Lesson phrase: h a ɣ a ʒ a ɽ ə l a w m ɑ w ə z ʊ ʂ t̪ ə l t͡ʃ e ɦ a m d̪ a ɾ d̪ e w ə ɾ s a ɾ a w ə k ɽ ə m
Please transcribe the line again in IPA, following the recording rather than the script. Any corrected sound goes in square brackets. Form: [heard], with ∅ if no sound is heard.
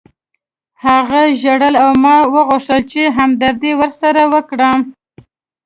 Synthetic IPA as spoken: h a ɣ a ʒ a ɽ ə l a w m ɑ w ə [ɣ] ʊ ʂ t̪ ə l t͡ʃ e ɦ a m d̪ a ɾ d̪ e w ə ɾ s a ɾ a w ə k ɽ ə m